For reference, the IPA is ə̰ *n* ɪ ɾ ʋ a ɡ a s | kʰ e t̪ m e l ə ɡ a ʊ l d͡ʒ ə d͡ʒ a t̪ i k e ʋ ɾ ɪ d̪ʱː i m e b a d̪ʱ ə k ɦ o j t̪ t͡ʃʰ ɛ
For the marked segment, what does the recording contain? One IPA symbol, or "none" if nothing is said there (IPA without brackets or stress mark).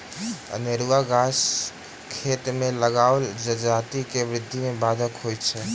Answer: n